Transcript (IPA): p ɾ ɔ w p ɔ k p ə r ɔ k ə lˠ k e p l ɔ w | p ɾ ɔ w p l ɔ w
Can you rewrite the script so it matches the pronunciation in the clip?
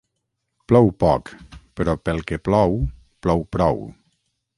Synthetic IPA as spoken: p l ɔ w p ɔ k p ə ɾ ɔ p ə lˠ k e p l ɔ w | p l ɔ w p ɾ ɔ w